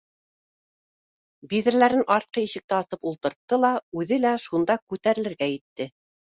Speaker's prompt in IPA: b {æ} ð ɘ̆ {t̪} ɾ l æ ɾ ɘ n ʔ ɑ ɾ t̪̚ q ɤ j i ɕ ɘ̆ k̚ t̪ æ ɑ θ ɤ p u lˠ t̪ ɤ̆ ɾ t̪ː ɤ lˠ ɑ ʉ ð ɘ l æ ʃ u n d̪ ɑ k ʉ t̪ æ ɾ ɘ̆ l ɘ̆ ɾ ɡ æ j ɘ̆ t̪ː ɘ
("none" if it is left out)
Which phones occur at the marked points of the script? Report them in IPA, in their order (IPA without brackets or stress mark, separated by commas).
i, none